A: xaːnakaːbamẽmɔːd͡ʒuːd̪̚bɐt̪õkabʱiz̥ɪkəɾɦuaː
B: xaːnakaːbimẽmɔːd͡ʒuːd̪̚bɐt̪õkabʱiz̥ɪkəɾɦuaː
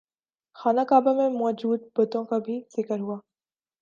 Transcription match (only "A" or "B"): A